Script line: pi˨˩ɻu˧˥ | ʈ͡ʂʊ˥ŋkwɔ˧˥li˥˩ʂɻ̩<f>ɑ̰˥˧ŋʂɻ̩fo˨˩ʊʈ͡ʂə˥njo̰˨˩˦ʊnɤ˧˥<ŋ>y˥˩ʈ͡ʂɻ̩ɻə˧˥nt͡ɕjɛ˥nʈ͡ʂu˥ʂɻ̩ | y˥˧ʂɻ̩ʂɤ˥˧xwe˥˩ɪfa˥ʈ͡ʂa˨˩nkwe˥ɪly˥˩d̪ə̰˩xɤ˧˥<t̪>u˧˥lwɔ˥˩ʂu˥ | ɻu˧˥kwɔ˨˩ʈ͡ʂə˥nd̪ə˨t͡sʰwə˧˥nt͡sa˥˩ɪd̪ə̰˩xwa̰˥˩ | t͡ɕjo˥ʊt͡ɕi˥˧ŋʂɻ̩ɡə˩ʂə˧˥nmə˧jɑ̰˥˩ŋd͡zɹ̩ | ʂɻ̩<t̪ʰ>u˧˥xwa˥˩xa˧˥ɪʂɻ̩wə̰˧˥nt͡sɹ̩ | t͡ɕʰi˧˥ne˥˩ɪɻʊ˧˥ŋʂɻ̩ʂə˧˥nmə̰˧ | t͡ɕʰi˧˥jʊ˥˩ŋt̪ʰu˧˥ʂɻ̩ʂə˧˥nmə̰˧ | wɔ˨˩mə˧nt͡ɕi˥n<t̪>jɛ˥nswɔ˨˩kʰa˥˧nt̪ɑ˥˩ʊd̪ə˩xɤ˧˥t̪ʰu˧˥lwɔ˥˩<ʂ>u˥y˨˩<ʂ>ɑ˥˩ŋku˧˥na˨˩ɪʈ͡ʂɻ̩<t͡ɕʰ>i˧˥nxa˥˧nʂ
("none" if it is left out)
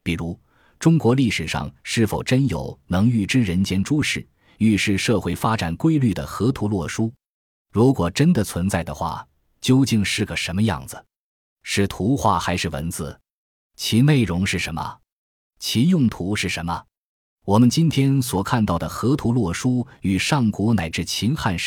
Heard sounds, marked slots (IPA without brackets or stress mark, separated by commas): ʂ, ŋ, t̪ʰ, t̪ʰ, t̪ʰ, ʂ, ʂ, t͡ɕʰ